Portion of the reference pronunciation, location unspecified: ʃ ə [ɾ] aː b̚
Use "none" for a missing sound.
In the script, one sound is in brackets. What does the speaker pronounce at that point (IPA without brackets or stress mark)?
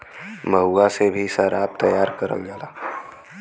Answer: ɾ